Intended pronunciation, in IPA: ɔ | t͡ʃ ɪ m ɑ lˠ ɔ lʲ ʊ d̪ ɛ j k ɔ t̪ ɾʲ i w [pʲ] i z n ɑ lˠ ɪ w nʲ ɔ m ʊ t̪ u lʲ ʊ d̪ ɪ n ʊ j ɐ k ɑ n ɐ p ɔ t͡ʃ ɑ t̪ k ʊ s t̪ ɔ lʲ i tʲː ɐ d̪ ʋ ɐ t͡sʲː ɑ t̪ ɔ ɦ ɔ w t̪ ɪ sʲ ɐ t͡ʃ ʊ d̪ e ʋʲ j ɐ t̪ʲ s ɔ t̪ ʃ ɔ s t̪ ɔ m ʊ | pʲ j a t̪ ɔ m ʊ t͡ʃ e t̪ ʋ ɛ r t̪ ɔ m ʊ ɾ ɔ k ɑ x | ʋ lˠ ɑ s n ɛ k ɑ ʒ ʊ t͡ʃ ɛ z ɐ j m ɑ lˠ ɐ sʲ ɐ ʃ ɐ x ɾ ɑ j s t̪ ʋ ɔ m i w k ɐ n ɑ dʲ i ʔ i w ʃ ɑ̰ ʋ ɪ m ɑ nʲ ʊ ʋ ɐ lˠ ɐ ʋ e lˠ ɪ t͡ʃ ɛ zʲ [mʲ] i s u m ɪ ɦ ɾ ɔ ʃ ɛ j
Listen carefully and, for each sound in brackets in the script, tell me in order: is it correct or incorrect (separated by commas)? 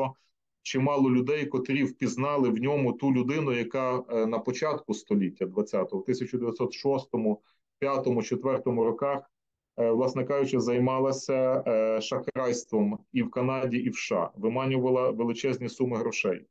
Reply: correct, incorrect